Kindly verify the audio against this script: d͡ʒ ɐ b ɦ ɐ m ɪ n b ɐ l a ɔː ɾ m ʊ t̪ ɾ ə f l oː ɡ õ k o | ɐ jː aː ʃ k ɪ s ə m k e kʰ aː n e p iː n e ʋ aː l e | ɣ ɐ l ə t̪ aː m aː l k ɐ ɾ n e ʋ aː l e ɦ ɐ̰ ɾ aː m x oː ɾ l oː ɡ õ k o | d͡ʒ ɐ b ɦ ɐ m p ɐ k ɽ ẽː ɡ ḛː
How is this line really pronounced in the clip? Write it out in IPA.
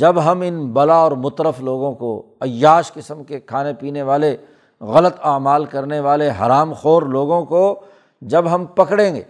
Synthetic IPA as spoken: d͡ʒ ɐ b ɦ ɐ m ɪ n b ɐ l a ɔː ɾ m ʊ t̪ ɾ ə f l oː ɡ õ k o | ɐ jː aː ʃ k ɪ s ə m k e kʰ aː n e p iː n e ʋ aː l e | ɣ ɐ l ə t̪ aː m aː l k ɐ ɾ n e ʋ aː l e ɦ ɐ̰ ɾ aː m x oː ɾ l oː ɡ õ k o | d͡ʒ ɐ b ɦ ɐ m p ɐ k ɽ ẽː ɡ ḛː